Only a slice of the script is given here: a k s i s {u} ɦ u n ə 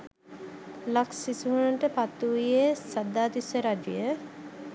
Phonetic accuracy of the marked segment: correct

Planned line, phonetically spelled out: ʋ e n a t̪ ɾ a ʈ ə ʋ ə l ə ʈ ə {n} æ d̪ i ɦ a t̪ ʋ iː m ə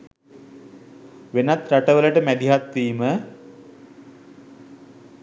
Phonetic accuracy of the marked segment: incorrect: m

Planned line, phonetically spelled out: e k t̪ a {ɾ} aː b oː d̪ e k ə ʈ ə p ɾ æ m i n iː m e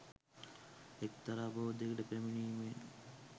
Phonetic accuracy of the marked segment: correct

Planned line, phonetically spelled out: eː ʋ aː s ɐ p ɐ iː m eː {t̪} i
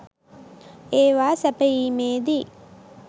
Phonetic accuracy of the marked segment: incorrect: d̪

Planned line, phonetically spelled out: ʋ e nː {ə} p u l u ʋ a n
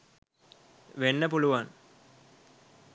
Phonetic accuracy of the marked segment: correct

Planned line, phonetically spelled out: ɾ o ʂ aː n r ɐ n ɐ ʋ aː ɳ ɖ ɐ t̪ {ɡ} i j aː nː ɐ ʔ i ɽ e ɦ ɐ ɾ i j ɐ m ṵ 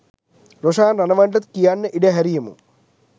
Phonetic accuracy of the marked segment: incorrect: k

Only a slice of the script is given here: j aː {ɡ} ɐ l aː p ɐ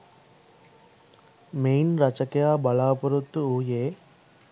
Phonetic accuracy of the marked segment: incorrect: b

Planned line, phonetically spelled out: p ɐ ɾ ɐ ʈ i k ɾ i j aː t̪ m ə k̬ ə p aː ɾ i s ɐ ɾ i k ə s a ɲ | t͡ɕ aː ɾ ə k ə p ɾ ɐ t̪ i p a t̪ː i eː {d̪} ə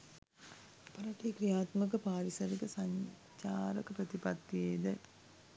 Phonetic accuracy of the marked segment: correct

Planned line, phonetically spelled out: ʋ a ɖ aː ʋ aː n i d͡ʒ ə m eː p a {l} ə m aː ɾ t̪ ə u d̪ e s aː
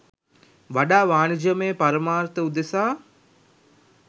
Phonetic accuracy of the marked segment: incorrect: ɾ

